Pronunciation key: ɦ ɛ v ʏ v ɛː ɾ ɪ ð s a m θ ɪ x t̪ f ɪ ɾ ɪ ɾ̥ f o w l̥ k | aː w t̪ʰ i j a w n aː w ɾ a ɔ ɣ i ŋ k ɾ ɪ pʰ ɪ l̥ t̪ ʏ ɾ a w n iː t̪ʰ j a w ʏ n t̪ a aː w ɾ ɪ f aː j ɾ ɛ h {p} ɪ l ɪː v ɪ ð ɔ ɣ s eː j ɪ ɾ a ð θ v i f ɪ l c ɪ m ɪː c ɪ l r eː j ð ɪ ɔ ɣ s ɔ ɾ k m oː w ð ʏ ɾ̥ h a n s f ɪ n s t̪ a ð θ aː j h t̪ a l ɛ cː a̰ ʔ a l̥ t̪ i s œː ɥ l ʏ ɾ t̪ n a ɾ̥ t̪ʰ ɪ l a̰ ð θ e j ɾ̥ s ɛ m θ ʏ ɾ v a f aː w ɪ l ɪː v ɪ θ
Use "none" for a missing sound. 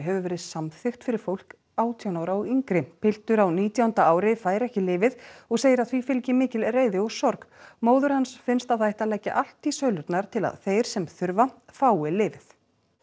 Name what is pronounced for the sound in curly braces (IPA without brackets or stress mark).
c